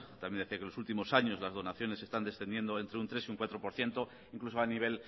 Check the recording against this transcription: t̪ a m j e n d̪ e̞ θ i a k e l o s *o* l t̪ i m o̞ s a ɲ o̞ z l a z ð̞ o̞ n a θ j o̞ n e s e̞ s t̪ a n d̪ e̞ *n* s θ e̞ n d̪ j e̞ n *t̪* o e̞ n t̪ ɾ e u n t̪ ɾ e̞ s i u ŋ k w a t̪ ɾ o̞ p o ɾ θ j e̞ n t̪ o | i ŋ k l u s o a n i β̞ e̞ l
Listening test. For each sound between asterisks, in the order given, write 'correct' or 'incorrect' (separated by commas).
incorrect, incorrect, incorrect